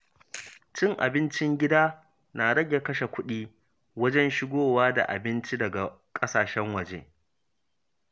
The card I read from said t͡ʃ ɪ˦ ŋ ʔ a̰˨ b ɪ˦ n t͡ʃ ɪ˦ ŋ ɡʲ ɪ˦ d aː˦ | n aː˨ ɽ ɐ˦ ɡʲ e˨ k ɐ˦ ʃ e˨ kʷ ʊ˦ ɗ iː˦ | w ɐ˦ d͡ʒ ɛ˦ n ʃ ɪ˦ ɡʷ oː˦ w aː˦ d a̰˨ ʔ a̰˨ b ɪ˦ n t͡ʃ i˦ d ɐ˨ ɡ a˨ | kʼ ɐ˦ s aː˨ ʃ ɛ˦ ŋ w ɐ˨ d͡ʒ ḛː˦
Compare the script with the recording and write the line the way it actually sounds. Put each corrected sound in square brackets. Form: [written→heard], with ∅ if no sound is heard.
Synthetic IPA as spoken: t͡ʃ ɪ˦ ŋ ʔ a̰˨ b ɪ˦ n t͡ʃ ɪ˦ ŋ ɡʲ ɪ˦ d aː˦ | n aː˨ ɽ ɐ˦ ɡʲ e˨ k ɐ˦ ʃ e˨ kʷ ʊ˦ ɗ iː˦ | w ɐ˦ d͡ʒ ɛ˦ n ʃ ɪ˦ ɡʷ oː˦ w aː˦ d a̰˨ ʔ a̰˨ b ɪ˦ n t͡ʃ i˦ d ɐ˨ ɡ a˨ | kʼ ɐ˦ s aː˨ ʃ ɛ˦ ŋ w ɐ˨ d͡ʒ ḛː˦